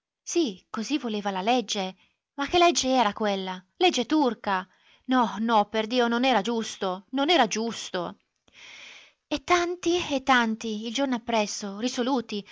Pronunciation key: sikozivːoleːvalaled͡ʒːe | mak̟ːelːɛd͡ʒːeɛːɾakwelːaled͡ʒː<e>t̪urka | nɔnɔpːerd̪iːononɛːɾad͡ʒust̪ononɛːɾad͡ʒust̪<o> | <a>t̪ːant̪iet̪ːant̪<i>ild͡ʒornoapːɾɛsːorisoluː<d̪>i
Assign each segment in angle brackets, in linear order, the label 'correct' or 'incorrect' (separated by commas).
correct, correct, incorrect, correct, incorrect